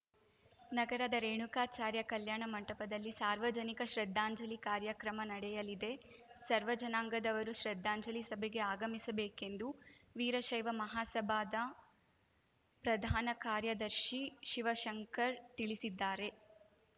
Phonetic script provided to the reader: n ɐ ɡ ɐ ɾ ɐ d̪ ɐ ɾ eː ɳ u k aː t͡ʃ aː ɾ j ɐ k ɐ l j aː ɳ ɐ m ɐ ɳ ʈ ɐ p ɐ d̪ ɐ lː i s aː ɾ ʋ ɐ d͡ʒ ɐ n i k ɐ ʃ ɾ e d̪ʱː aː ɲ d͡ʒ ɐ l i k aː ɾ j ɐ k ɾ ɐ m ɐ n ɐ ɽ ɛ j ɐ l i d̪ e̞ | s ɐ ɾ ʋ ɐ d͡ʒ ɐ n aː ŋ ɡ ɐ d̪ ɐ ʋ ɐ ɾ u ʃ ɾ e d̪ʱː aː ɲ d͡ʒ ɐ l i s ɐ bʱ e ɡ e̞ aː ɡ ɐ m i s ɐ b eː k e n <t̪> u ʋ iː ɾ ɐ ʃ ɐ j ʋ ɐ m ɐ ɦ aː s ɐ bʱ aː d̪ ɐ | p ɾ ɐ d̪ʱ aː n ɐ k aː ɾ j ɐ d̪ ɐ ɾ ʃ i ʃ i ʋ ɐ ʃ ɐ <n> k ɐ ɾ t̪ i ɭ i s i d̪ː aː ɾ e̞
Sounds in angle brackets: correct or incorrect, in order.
incorrect, incorrect

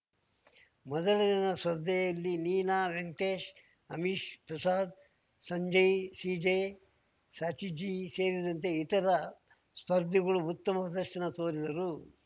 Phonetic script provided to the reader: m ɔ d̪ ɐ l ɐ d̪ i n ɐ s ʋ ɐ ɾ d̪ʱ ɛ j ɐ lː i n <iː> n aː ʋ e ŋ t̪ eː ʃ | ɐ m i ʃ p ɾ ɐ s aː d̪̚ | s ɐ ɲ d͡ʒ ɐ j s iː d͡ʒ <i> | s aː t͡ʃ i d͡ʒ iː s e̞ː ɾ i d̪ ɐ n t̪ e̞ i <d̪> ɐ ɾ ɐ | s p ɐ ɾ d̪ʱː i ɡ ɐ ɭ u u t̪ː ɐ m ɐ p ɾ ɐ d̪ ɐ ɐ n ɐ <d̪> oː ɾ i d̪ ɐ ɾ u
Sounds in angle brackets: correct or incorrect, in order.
correct, incorrect, incorrect, incorrect

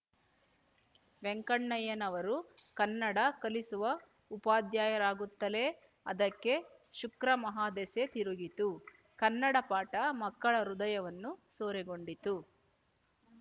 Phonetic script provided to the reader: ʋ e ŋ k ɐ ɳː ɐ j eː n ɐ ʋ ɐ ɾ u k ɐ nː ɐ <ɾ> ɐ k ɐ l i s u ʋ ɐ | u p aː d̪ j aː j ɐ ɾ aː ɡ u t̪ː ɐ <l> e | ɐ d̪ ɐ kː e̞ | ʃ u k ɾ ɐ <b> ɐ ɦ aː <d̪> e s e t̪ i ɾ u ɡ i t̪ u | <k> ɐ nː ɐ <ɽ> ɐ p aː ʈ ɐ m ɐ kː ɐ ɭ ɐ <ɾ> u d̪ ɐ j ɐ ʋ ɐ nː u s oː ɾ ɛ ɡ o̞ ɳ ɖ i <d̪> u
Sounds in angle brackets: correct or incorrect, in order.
incorrect, correct, incorrect, correct, correct, correct, correct, incorrect

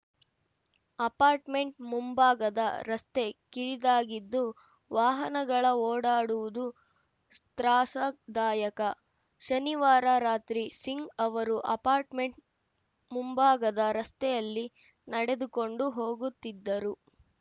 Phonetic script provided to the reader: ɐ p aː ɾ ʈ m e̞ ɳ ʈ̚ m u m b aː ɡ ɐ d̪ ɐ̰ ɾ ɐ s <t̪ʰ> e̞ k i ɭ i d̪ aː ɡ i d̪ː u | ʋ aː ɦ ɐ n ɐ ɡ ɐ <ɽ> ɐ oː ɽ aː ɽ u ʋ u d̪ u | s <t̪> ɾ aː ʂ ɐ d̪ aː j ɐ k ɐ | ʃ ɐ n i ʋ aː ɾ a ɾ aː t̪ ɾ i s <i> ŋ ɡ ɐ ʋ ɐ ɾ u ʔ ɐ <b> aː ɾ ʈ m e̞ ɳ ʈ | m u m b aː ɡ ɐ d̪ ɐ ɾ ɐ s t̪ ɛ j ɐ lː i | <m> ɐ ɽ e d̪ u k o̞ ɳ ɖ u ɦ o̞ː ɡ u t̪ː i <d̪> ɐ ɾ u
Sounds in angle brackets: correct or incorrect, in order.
incorrect, incorrect, correct, correct, incorrect, incorrect, incorrect

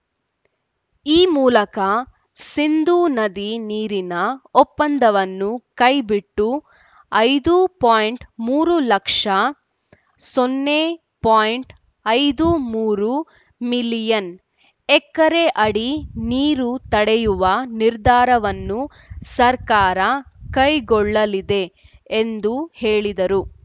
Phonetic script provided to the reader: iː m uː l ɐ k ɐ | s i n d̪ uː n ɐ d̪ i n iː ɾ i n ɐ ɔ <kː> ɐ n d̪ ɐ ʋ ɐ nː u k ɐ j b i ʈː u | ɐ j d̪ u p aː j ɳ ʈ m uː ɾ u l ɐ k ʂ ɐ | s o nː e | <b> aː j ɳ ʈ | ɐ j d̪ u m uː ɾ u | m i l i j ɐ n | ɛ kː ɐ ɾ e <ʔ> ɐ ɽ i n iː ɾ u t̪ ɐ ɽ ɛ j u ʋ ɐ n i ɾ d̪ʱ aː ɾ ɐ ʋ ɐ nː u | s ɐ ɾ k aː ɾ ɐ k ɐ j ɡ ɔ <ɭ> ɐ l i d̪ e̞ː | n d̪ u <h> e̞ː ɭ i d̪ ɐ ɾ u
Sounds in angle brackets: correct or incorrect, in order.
incorrect, incorrect, correct, incorrect, correct

